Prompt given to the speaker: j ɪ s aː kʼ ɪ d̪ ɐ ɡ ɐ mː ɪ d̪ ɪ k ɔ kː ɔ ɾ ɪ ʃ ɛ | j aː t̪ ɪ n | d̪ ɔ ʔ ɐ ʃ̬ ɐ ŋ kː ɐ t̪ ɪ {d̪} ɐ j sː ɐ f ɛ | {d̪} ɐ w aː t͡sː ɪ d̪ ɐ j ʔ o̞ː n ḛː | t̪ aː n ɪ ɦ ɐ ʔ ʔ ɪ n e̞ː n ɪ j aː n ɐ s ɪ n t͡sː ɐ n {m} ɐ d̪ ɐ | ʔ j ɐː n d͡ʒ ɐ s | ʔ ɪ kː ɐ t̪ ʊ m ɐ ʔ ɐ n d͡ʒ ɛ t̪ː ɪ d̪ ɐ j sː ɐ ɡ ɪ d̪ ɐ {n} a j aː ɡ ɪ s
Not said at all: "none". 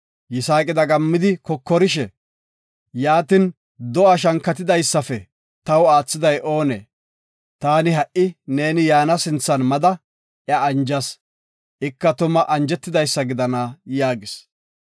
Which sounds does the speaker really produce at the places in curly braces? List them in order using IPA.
d̪, t̪, m, n

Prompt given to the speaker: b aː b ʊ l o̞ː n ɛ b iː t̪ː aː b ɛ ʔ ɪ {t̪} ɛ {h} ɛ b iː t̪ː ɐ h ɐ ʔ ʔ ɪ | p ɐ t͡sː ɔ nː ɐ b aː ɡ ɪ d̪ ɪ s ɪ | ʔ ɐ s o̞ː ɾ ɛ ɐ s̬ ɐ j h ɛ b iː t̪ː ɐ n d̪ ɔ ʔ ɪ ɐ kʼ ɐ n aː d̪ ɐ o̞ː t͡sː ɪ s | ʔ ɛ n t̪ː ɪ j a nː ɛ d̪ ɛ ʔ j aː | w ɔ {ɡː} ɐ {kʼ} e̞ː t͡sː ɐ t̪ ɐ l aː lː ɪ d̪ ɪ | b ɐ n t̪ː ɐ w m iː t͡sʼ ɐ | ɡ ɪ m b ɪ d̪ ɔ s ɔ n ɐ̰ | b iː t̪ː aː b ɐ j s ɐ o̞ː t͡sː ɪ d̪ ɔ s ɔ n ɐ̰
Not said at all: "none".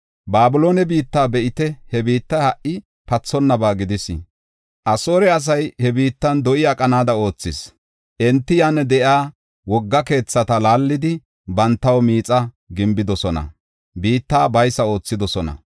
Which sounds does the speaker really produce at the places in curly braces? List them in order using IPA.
t̪, h, ɡː, k

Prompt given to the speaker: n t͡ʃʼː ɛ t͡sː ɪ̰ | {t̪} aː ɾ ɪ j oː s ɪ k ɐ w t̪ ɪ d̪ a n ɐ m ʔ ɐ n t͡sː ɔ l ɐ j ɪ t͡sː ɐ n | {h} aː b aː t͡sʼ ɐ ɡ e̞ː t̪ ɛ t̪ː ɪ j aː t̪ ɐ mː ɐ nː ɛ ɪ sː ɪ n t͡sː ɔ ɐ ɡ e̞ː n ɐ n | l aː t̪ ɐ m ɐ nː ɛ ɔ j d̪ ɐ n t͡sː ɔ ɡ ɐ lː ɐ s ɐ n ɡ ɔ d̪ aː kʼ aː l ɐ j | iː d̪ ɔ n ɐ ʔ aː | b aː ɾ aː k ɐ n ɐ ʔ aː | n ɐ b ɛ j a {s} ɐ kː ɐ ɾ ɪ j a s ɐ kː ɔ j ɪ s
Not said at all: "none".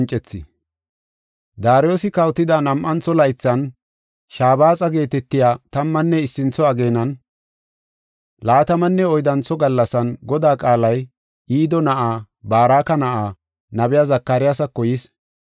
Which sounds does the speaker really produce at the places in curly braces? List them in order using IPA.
d̪, ʃ, z

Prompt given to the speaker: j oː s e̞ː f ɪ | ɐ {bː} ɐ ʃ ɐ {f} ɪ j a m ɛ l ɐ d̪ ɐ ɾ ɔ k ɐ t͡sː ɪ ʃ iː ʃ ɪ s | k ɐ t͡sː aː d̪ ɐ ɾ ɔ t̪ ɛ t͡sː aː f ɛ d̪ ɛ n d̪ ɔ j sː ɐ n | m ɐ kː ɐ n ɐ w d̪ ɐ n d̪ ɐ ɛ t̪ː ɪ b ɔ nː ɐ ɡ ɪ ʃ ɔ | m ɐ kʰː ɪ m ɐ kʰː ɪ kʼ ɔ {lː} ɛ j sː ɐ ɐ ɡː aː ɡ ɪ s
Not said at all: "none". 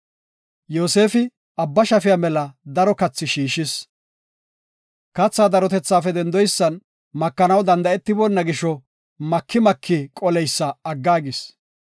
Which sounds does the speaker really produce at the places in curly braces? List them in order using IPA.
bː, f, l

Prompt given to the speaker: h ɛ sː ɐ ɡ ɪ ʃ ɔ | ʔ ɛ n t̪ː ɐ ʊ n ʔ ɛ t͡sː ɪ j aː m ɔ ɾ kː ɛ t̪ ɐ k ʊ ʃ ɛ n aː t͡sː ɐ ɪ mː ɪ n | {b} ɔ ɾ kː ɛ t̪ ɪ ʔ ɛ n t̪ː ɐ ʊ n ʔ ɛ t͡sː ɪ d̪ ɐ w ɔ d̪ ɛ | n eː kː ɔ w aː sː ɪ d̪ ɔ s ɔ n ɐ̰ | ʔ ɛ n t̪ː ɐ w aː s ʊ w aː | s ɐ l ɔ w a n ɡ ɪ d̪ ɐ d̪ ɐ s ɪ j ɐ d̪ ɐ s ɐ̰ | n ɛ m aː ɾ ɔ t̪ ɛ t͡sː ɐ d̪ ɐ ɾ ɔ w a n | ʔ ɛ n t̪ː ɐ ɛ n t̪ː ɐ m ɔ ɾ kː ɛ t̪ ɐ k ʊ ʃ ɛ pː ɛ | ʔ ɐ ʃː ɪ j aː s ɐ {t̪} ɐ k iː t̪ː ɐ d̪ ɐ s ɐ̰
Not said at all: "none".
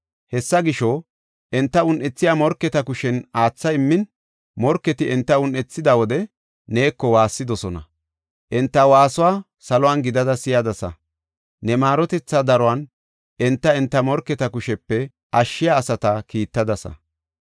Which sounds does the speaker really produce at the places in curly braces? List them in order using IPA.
m, t̪

